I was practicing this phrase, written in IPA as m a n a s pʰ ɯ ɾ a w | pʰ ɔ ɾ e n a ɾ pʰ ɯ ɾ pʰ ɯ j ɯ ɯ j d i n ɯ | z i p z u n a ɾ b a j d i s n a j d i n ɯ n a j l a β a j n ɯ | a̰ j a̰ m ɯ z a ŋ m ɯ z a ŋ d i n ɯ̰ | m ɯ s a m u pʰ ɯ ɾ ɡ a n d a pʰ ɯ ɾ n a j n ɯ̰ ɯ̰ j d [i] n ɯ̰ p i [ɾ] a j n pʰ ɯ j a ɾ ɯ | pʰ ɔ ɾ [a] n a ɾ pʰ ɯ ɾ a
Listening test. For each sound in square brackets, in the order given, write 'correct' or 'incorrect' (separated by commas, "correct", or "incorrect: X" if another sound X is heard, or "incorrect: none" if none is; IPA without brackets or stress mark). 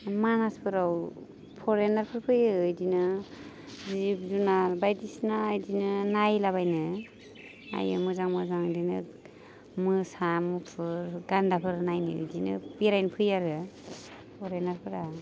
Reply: correct, correct, incorrect: e